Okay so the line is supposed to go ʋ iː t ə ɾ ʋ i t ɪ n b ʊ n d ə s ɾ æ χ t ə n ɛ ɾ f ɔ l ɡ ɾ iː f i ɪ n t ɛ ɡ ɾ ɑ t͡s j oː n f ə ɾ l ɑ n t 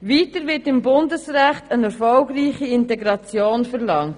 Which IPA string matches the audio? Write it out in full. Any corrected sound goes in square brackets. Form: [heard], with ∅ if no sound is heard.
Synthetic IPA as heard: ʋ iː t ə ɾ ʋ [ɪ] t ɪ [m] b ʊ n d ə s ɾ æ χ t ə n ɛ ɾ f ɔ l ɡ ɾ iː [χ] i ɪ n t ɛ ɡ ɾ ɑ t͡s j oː n f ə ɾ l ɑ [ŋ] t